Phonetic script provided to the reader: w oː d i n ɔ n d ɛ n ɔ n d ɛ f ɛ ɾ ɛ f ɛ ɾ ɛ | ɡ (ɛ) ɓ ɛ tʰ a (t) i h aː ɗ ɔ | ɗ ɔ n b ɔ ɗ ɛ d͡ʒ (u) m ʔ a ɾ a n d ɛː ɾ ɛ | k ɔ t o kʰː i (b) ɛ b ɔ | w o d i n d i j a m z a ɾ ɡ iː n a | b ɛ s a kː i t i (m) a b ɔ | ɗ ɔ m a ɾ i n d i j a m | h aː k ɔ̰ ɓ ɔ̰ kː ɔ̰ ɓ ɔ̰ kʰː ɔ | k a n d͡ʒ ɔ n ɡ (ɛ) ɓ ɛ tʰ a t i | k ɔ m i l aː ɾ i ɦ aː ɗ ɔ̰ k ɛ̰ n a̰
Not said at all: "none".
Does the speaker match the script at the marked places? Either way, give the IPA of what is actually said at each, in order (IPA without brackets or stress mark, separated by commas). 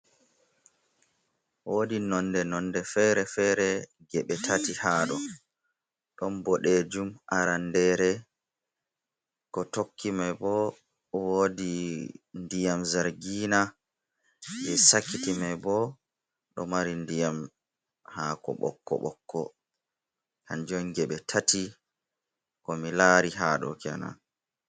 ɛ, t, u, m, m, ɛ